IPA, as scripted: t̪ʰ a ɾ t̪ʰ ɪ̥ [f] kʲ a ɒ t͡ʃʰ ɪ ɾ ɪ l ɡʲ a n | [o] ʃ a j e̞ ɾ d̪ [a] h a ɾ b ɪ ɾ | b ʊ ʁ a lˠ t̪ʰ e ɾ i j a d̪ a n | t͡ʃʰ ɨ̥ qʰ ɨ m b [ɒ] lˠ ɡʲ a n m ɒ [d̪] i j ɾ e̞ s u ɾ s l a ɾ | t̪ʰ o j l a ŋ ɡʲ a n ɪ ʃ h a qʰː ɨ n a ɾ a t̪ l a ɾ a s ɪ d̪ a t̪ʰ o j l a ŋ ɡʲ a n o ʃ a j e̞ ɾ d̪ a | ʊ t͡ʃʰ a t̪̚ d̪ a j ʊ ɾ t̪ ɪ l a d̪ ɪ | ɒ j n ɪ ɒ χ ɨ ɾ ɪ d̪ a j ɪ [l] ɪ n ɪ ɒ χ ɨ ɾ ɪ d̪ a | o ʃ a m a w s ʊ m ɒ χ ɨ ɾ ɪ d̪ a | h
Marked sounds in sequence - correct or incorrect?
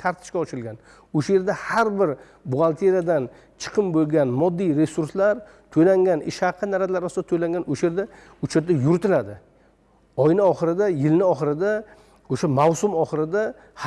incorrect, correct, correct, incorrect, incorrect, correct

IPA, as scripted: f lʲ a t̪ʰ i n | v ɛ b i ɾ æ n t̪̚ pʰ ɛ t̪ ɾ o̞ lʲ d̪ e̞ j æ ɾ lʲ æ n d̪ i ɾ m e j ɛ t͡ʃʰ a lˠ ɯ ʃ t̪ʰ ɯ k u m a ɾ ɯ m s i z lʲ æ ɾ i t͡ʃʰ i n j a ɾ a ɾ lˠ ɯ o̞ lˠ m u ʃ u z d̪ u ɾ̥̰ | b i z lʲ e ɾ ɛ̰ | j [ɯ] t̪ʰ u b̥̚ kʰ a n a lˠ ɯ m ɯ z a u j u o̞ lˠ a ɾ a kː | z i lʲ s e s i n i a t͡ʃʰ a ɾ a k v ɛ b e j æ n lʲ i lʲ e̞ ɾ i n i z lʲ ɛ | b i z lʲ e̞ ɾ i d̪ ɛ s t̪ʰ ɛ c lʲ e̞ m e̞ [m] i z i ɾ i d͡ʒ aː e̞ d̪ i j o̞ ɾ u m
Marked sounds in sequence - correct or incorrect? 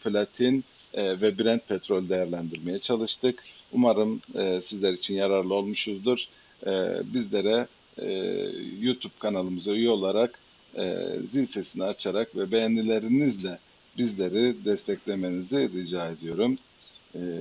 incorrect, incorrect

